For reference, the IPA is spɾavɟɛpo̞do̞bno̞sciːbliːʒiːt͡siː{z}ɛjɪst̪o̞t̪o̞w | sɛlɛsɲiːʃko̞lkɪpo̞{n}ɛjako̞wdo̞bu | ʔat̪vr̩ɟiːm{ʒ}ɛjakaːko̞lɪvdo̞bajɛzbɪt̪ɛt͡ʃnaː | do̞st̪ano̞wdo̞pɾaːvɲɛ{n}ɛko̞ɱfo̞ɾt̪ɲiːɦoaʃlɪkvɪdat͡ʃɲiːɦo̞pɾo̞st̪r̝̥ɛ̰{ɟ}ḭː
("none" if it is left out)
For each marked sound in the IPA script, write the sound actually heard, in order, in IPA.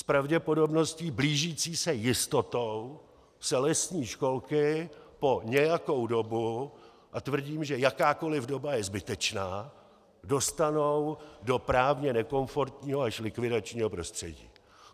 s, ɲ, ʒ, n, ɟ

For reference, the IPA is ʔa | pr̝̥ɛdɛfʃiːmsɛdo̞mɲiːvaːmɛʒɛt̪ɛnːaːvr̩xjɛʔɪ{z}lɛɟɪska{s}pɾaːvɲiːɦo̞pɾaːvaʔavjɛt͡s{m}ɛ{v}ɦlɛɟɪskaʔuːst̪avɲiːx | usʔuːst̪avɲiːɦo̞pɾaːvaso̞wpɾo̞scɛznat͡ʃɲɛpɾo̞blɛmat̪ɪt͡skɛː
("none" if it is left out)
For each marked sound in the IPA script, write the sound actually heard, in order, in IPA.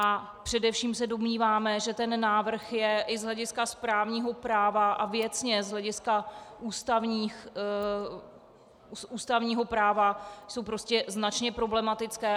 z, s, ɲ, z

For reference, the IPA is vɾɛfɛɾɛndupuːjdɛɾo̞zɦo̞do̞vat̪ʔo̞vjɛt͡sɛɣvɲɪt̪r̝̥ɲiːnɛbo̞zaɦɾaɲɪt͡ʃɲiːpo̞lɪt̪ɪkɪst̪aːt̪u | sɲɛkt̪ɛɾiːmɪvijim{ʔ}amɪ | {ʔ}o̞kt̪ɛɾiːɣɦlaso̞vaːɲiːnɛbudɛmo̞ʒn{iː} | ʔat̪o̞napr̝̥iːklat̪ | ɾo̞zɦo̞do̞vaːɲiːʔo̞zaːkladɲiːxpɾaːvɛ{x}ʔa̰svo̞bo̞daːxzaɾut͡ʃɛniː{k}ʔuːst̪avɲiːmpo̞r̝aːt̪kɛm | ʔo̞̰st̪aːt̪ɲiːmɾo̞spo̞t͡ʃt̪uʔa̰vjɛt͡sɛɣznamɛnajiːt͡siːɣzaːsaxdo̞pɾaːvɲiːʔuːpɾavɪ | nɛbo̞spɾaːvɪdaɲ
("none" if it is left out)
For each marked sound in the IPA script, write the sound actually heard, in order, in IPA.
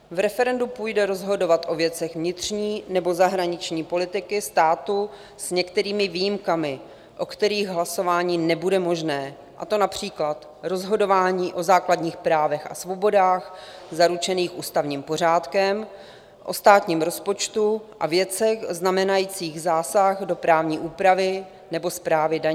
k, ʔ, ɛː, x, x

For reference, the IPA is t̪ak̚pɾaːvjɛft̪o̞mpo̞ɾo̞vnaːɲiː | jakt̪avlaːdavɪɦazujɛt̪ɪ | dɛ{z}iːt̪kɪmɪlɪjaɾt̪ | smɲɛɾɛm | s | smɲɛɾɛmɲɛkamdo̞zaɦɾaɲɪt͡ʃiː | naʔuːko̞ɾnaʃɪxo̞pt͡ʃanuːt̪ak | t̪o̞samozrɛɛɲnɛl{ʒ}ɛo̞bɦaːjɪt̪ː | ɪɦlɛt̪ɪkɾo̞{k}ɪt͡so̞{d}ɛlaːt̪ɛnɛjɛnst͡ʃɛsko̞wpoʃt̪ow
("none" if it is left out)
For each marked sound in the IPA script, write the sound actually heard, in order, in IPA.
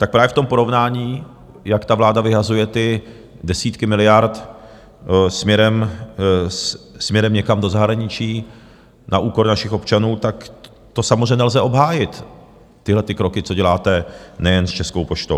s, z, k, ɟ

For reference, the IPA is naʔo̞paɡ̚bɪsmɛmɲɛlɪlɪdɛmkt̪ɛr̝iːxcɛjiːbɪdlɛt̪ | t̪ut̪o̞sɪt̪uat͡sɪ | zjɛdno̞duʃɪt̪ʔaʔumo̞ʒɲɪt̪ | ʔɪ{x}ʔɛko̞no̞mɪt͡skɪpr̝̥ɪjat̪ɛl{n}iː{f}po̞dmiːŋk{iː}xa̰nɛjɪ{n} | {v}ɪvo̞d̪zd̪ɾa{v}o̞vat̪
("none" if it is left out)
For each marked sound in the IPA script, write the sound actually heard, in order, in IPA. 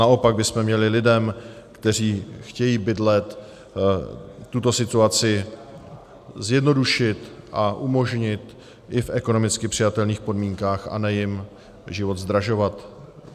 f, n, x, aː, m, ʒ, ʒ

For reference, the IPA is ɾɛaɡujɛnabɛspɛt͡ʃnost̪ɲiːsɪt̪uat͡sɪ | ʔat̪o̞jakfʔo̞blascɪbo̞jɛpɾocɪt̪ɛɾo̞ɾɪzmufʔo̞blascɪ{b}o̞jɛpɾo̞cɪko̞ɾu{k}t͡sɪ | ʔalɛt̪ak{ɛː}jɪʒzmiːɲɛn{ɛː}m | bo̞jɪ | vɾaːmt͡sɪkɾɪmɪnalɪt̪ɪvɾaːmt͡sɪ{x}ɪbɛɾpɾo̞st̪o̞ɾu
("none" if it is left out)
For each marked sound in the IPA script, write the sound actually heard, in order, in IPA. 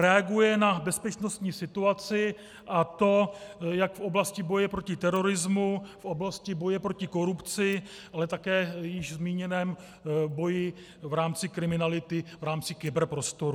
b, p, ɛː, ɛː, k

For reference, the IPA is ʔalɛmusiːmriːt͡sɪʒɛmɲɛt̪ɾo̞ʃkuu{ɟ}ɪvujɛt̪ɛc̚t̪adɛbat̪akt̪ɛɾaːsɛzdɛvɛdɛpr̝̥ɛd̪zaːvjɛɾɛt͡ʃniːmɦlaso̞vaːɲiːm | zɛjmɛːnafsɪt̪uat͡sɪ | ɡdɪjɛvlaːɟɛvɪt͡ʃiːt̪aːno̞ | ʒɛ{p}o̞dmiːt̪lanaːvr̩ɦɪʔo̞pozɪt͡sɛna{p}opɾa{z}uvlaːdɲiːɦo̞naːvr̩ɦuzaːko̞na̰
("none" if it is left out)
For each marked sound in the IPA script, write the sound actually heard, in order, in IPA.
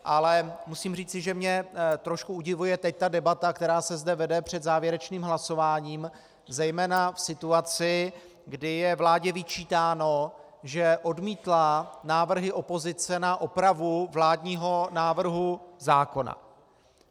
ɟ, ʔ, ʔ, v

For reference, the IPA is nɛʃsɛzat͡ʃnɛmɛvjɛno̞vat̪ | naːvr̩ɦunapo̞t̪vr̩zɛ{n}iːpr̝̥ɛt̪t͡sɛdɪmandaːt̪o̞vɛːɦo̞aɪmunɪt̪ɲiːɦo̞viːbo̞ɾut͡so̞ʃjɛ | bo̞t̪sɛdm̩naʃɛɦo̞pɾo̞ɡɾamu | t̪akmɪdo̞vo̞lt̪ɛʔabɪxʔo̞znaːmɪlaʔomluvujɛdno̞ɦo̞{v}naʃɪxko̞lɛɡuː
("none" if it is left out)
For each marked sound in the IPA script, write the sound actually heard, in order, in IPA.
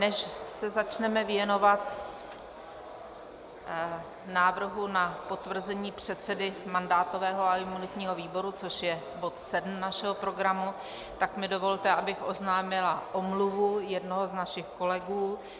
ɲ, z

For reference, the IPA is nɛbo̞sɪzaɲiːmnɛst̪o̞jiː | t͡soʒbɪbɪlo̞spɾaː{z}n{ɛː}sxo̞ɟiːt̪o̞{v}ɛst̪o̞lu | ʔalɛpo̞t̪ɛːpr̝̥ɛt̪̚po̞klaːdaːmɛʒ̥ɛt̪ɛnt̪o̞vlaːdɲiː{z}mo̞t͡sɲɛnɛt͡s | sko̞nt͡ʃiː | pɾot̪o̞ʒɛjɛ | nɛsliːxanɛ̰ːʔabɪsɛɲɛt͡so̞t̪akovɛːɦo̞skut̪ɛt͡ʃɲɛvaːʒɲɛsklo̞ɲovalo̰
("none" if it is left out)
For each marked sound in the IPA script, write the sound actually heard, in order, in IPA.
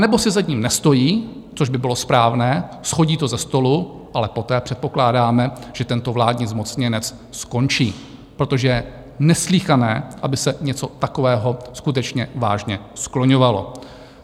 v, ɛː, z, z

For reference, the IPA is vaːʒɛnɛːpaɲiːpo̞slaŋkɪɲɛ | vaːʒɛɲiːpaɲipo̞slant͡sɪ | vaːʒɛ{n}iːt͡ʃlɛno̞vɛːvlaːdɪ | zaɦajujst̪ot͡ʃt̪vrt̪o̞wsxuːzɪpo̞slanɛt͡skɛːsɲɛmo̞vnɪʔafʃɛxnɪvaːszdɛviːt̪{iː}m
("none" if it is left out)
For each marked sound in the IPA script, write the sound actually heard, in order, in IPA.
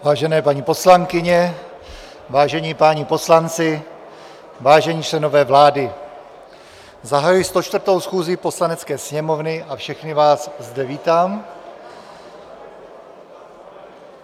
ɲ, aː

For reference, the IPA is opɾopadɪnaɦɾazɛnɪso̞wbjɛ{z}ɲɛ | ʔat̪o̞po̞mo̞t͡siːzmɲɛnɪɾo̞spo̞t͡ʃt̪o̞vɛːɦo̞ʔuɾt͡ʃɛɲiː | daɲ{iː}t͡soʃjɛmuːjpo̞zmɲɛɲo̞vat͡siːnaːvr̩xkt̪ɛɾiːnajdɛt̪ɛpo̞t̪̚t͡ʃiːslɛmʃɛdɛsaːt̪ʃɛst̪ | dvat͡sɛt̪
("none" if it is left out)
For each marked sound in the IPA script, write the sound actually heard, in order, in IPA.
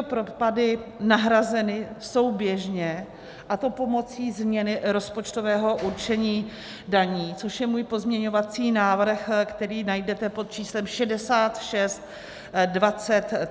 ʒ, iː

